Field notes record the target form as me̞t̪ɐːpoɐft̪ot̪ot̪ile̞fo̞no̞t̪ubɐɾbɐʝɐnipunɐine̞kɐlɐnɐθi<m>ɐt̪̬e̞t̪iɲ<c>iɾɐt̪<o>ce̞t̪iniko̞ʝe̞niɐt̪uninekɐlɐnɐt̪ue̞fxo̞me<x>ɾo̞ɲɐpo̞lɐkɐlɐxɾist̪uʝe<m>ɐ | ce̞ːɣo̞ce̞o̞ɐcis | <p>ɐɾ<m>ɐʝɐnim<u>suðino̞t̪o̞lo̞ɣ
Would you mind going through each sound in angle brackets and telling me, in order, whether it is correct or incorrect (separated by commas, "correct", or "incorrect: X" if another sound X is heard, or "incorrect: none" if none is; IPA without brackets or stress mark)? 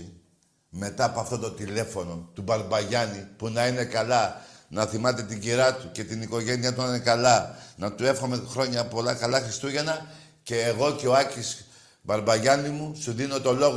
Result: correct, incorrect: ɟ, incorrect: u, correct, incorrect: n, incorrect: b, incorrect: b, correct